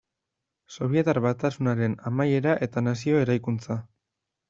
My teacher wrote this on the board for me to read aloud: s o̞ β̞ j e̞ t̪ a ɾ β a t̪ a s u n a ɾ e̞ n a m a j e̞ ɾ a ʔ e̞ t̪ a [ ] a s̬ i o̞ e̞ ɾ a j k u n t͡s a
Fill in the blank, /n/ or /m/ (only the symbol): n